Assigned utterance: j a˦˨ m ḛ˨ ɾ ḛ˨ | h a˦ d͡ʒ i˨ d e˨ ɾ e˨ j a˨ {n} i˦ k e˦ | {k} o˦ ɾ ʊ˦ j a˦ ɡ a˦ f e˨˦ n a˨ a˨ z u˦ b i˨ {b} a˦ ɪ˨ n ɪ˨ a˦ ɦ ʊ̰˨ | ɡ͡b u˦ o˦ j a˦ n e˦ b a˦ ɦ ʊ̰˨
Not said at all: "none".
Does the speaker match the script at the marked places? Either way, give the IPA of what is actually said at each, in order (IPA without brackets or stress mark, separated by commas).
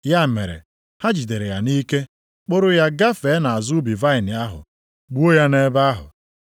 n, k͡p, v